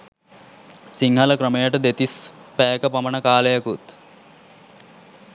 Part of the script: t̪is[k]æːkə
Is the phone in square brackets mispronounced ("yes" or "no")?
yes